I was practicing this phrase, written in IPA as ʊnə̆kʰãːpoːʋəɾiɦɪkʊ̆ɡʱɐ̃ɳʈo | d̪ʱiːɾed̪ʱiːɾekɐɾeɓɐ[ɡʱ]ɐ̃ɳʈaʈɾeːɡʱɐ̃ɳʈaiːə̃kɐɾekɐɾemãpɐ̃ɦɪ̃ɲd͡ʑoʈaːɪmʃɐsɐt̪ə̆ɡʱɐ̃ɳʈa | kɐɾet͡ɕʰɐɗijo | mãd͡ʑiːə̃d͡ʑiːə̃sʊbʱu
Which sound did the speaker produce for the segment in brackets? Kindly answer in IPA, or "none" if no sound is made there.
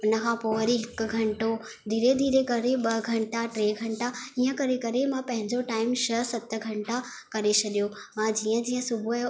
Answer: ɡʱ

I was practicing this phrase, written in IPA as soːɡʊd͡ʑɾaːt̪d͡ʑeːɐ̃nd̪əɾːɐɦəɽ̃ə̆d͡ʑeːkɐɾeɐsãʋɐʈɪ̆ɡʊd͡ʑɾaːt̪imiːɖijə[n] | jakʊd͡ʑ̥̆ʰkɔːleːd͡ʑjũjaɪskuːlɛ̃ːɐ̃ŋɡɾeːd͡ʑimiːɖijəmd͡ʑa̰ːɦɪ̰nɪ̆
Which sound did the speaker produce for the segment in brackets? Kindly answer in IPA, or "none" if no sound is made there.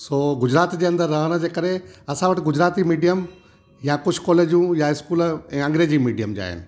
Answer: m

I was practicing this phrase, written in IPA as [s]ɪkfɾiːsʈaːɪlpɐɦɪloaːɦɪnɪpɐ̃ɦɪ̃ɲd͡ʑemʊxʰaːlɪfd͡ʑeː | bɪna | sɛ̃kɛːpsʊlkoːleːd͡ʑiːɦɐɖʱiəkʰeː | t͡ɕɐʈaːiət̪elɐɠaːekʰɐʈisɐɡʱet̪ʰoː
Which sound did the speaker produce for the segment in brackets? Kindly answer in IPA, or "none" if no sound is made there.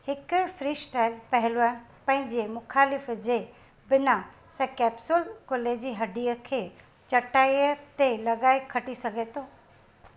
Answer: h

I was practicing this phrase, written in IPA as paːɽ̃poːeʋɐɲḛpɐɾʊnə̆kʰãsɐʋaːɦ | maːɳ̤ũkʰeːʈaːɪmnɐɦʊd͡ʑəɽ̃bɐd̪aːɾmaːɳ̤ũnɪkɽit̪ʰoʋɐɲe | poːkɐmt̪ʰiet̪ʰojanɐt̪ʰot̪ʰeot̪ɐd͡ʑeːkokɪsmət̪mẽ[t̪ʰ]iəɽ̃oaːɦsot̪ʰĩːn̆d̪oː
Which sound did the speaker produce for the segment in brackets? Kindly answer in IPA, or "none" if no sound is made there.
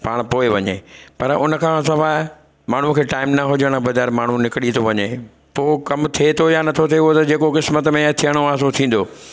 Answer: t̪ʰ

